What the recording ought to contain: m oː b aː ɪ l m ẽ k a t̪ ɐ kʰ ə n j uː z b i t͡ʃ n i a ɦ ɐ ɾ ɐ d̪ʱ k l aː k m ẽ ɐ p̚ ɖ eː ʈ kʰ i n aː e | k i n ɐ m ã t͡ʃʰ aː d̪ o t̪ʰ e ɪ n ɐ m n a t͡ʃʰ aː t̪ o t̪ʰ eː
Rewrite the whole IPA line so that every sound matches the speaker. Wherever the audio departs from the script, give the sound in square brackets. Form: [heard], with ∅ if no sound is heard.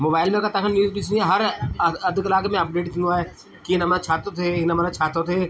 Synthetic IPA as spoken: m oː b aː ɪ l m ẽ k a t̪ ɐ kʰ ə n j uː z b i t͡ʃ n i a ɦ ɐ ɾ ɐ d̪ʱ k l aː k m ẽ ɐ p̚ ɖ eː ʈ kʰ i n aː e | k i n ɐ m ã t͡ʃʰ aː [t̪] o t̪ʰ e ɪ n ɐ m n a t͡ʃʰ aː t̪ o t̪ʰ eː